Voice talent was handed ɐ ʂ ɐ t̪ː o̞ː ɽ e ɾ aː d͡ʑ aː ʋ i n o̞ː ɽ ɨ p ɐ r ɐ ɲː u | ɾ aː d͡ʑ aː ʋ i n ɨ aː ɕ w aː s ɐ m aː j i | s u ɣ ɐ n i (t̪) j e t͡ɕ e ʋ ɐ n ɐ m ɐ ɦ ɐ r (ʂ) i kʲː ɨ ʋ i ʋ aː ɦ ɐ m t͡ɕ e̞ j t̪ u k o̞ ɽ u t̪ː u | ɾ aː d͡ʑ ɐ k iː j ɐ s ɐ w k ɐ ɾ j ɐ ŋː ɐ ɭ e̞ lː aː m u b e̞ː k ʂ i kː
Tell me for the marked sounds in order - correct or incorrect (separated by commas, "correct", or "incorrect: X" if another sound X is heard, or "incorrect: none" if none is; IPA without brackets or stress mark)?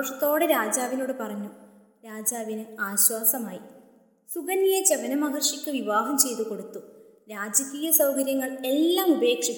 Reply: incorrect: none, correct